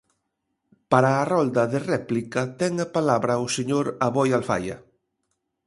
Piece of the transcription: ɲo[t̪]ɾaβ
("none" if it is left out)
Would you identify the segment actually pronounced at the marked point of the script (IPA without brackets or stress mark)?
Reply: none